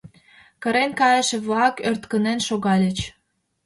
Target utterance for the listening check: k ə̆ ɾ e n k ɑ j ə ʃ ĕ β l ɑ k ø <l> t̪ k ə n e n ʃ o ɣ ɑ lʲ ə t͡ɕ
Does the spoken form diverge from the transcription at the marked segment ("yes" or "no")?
yes